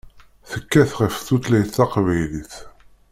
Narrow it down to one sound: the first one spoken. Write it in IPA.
θ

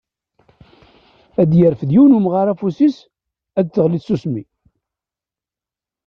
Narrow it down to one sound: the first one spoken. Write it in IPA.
æ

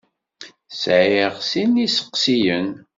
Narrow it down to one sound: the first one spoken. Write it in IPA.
s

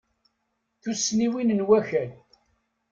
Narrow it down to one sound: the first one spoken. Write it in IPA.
θ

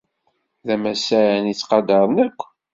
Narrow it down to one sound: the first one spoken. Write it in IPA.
ð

